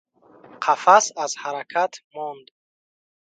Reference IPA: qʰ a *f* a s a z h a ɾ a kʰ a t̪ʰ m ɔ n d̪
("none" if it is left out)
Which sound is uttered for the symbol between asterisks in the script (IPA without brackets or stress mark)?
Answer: f